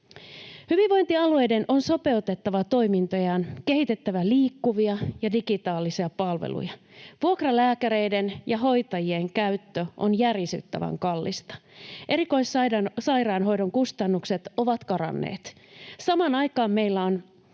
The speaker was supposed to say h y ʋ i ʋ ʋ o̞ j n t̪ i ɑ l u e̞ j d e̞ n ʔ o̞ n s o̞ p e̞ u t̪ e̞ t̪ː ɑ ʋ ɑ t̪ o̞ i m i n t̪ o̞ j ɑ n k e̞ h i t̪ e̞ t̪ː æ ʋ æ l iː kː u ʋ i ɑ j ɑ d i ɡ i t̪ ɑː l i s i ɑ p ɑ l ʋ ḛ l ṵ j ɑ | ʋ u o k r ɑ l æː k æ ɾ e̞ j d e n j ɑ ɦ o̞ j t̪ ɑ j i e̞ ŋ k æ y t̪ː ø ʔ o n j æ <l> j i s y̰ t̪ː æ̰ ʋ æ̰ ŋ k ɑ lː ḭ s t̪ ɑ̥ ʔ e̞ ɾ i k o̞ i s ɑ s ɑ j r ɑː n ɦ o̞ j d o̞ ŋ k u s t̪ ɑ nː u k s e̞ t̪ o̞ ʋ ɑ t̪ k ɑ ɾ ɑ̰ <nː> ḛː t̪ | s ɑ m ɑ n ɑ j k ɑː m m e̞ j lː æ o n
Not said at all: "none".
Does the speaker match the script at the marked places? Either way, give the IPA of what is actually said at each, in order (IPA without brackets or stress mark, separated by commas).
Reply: r, nː